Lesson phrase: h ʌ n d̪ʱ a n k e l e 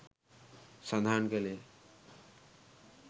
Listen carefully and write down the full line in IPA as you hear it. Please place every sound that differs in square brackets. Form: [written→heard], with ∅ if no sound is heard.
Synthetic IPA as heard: [h→s] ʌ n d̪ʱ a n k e l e